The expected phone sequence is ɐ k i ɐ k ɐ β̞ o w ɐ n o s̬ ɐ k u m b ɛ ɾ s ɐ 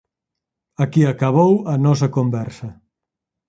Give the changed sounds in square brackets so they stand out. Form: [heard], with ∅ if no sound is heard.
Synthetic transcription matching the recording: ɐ k i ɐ k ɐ β̞ o w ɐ n [ɔ] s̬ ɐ k [o] m b ɛ ɾ s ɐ